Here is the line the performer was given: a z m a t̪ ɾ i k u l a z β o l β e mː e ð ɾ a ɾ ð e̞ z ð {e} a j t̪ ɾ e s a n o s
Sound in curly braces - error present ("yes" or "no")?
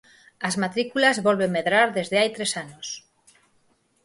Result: no